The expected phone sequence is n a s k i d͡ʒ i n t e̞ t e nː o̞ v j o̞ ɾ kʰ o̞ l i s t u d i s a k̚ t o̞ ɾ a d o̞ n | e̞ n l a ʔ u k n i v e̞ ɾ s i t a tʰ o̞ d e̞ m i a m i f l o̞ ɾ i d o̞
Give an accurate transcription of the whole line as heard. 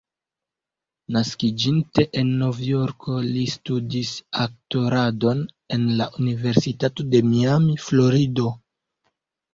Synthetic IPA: n a s k i d͡ʒ i n t e̞ ʔ e nː o̞ v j o̞ ɾ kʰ o̞ l i s t u d i s a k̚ t o̞ ɾ a d o̞ n | e̞ n l a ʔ u n i v e̞ ɾ s i t a t o̞ d e̞ m i a m i f l o̞ ɾ i d o̞